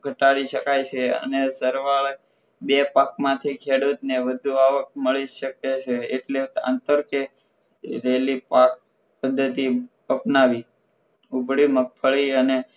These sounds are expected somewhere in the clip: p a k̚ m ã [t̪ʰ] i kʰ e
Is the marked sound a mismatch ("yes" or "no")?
no